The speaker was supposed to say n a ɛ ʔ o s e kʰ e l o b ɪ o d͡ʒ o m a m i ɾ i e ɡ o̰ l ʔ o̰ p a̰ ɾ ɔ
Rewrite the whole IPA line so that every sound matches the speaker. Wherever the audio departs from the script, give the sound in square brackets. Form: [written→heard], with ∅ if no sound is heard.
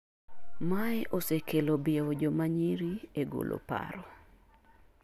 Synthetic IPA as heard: [n→m] a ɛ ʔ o s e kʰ e l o b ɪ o d͡ʒ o m a [m→ɲ] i ɾ i e ɡ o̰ l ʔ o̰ p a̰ ɾ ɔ